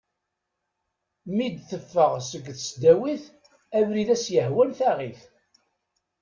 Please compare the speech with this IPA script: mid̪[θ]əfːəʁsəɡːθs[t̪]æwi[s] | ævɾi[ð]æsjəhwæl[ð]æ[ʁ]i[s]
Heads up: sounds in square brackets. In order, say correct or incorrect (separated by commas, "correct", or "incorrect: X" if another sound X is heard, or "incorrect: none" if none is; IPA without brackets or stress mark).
correct, incorrect: d̪, incorrect: θ, correct, incorrect: θ, correct, incorrect: θ